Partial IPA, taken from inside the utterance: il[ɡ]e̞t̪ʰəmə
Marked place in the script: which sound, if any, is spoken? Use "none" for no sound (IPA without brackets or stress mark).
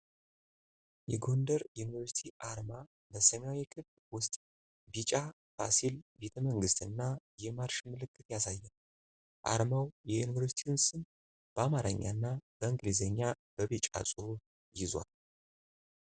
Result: b